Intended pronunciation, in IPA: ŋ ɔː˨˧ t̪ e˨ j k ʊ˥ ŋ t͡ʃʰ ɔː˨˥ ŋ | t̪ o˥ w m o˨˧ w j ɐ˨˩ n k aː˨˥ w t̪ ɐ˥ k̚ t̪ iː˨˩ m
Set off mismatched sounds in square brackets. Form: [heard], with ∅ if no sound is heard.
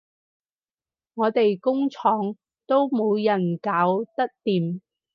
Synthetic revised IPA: ŋ ɔː˨˧ t̪ e˨ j k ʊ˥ ŋ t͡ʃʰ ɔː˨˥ ŋ | t̪ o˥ w m o˨˧ w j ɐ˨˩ n k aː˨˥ w t̪ ɐ˥ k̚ t̪ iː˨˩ m